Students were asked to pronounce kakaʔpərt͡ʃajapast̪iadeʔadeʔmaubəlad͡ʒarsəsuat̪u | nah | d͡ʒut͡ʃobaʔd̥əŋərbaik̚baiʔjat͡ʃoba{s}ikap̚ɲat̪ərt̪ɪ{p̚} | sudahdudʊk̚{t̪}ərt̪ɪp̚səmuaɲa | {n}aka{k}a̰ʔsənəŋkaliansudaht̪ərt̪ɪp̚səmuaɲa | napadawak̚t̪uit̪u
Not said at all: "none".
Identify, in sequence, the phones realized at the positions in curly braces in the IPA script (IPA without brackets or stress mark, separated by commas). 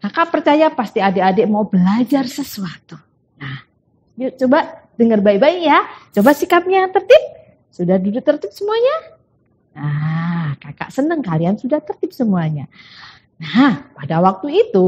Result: s, p̚, t̪, n, k